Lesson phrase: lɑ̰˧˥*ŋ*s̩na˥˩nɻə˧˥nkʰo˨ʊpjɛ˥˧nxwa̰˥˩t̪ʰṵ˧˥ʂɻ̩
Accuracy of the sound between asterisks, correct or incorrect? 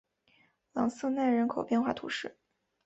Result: correct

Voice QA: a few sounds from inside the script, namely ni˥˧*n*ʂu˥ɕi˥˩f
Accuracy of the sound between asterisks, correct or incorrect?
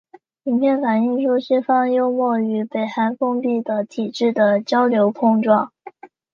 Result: incorrect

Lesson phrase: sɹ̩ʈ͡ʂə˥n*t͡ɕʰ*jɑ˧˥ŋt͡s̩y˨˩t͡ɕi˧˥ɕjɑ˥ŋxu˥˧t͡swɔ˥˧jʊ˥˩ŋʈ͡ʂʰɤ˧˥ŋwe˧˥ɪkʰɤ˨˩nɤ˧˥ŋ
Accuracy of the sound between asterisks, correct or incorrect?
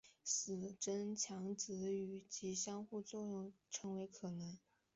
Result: correct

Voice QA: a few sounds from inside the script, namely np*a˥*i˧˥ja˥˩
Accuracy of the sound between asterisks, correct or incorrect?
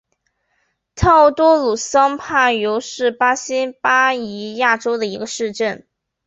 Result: correct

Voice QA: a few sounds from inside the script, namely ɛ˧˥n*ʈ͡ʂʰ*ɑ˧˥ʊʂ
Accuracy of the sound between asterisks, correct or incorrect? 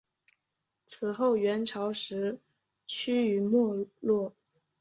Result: correct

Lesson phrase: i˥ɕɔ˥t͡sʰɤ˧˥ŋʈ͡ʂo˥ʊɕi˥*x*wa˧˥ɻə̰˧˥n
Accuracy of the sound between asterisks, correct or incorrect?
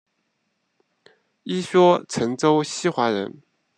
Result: correct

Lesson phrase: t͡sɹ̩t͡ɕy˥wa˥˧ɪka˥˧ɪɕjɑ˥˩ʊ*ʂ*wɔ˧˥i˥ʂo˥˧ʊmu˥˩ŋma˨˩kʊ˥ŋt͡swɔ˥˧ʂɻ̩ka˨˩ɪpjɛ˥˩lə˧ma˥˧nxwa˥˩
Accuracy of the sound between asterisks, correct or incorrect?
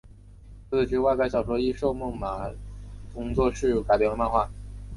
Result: correct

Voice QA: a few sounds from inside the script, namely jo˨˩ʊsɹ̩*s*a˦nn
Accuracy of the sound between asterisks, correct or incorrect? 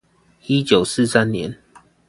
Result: correct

